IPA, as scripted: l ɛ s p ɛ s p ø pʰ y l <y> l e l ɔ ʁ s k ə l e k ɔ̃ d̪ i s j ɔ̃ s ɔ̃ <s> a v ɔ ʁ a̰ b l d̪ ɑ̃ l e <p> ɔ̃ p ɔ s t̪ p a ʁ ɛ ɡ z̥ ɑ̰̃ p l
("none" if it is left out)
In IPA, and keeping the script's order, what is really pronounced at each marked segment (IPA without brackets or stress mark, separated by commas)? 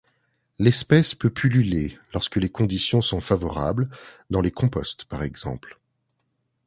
y, f, k